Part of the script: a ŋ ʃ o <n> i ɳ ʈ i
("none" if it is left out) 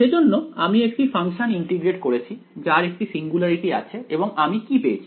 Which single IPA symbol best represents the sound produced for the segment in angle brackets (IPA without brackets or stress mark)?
n